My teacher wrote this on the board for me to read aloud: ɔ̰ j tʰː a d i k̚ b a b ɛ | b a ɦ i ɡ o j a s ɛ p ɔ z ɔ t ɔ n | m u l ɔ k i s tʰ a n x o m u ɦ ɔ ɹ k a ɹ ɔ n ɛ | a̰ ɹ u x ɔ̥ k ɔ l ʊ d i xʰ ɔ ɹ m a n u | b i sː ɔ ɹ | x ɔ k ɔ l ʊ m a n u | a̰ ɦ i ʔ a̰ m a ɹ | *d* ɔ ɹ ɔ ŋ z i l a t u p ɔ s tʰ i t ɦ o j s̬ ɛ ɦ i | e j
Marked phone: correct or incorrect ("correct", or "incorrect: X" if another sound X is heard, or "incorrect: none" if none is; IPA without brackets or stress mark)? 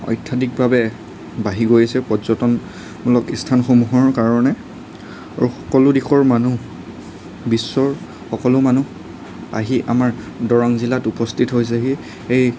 correct